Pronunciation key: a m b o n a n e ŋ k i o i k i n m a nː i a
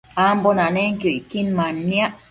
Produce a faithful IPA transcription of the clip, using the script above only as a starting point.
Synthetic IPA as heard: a m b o n a n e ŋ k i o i k i n m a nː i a